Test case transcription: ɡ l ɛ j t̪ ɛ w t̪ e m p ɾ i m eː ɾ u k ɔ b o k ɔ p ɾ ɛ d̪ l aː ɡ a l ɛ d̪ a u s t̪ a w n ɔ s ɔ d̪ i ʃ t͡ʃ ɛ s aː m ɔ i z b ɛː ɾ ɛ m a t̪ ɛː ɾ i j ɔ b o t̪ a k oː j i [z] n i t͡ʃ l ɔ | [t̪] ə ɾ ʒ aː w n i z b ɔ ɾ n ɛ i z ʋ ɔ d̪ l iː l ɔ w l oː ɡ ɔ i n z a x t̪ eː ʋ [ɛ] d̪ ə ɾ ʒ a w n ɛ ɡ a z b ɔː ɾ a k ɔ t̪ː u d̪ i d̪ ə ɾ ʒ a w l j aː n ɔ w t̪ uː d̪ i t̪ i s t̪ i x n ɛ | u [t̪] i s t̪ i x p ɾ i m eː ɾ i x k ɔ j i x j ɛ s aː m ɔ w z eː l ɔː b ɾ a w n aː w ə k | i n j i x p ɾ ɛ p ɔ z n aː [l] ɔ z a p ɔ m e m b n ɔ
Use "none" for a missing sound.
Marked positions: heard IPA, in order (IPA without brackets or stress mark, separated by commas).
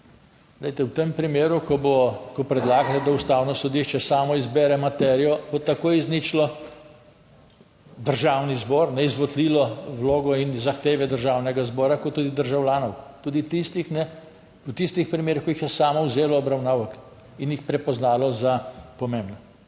z, d̪, ɛ, t̪, l